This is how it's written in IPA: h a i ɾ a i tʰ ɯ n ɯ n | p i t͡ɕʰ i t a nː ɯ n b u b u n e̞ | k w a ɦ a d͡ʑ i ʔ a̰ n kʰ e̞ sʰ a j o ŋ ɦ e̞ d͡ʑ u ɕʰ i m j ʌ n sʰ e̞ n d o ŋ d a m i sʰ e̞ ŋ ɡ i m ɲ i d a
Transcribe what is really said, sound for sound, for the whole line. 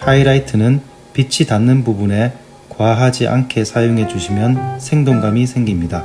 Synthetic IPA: h a i ɾ a i tʰ ɯ n ɯ n | p i t͡ɕʰ i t a nː ɯ n b u b u n e̞ | k w a ɦ a d͡ʑ i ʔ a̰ n kʰ e̞ sʰ a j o ŋ ɦ e̞ d͡ʑ u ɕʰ i m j ʌ n sʰ e̞ ŋ d o ŋ ɡ a m i sʰ e̞ ŋ ɡ i m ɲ i d a